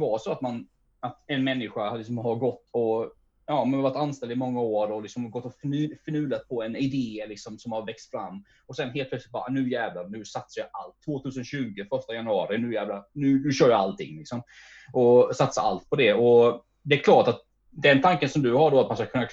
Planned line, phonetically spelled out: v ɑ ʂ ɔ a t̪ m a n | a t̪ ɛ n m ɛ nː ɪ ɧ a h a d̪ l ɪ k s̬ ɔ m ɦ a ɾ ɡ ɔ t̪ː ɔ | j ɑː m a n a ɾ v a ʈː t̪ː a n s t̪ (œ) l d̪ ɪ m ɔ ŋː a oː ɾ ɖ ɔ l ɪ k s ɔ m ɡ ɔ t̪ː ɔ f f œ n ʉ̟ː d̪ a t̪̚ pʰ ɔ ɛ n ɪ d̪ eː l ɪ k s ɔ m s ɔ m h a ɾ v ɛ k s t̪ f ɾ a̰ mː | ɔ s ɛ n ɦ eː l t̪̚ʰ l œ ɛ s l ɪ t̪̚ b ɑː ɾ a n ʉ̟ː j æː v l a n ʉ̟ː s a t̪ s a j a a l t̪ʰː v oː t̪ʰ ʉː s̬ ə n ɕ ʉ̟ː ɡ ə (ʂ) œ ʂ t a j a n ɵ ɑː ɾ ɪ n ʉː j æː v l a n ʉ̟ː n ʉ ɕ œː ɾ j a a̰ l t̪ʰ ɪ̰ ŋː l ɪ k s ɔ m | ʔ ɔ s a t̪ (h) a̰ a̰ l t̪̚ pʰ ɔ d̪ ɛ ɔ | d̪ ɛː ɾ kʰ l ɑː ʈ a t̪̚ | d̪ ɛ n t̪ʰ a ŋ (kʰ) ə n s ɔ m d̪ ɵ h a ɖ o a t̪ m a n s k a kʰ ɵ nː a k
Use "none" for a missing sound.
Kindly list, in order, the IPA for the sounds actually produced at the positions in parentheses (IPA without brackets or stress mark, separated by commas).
ɛ, f, s, k